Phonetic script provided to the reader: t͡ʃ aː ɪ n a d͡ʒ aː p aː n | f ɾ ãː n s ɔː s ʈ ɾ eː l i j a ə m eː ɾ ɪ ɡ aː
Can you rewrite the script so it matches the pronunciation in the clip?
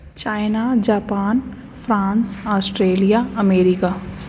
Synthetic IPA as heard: t͡ʃ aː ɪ n a d͡ʒ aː p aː n | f ɾ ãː n s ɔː s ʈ ɾ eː l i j a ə m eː ɾ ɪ k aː